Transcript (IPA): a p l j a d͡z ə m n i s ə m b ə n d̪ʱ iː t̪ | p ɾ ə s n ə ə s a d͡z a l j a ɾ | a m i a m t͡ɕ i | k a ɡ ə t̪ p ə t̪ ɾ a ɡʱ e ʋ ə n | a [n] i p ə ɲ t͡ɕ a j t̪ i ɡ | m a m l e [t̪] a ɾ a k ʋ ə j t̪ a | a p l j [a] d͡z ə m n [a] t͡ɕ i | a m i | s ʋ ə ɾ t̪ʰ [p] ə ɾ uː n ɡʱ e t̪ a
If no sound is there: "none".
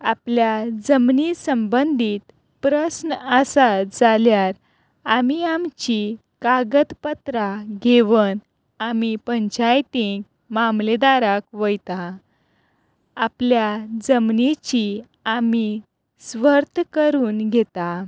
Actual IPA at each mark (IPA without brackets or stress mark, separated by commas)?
m, d̪, a, i, k